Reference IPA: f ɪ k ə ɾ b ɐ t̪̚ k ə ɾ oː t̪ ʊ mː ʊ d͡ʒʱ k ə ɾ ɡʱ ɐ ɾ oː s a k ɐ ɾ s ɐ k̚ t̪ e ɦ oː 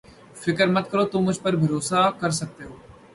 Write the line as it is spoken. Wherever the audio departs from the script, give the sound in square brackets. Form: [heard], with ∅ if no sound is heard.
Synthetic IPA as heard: f ɪ k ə ɾ [m] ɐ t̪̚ k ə ɾ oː t̪ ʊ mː ʊ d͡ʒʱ [p] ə ɾ [bʱ] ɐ ɾ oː s a k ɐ ɾ s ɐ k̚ t̪ e ɦ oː

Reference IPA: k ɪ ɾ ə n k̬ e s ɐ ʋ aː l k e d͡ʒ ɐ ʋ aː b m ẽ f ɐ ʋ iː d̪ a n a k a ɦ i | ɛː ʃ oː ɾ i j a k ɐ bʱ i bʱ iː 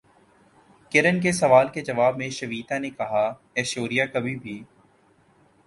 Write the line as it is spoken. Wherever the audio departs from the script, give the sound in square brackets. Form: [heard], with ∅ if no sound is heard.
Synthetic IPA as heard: k ɪ ɾ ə n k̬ e s ɐ ʋ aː l k e d͡ʒ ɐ ʋ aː b m ẽ [ʃ] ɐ ʋ iː [t̪] a n [e] k [ɐ] ɦ [a] | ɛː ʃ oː ɾ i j a k ɐ bʱ i bʱ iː

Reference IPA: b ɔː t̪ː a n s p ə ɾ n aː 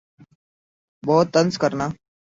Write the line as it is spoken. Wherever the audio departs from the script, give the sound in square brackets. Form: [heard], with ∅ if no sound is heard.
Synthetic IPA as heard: b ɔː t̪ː [ə] n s [k] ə ɾ n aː

